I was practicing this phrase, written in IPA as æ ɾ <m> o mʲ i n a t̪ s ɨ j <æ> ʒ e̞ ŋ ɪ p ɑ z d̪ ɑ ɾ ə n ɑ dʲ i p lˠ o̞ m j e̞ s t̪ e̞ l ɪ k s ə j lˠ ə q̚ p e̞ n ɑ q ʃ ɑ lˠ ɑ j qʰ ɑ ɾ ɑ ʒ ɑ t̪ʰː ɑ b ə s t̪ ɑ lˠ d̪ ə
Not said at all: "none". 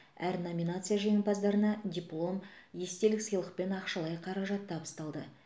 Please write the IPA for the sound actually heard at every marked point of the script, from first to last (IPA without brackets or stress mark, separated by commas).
n, a